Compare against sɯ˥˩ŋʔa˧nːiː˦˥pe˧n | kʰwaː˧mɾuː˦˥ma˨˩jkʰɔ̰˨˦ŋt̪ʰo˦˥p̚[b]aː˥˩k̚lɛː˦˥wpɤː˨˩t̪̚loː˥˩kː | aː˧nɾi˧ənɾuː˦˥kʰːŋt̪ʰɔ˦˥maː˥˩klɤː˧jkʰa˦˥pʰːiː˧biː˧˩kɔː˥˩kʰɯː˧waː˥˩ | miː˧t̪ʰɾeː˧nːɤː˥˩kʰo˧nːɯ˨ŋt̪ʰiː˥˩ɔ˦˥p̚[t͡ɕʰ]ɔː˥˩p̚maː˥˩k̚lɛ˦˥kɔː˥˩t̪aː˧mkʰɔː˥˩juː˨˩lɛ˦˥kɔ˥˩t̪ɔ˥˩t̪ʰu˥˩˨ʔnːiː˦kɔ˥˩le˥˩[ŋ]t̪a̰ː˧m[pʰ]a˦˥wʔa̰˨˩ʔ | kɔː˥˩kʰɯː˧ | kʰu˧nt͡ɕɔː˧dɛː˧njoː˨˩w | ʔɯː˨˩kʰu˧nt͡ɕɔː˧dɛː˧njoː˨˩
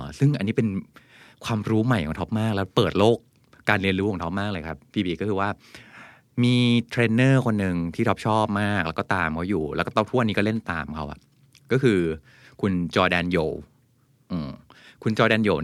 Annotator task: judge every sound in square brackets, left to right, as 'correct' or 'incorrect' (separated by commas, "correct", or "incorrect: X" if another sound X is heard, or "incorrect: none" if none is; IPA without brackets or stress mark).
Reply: incorrect: m, correct, incorrect: n, incorrect: kʰ